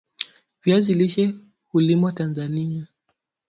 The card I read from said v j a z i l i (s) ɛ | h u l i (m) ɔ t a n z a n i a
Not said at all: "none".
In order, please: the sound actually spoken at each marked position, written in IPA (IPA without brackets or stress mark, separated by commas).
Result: ʃ, m